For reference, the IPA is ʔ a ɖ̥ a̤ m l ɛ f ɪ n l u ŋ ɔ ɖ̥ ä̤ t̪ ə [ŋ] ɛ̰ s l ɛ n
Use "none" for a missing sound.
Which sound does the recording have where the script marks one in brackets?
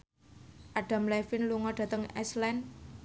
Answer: ŋ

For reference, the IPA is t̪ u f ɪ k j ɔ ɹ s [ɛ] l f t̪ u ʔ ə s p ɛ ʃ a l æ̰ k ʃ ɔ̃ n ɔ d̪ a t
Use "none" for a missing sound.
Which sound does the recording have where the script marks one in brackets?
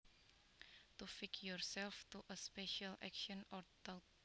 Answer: ɛ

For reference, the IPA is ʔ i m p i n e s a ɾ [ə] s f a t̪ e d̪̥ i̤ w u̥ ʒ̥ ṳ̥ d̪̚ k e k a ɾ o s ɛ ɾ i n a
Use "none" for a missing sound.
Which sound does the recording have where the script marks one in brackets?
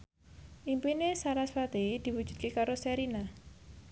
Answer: a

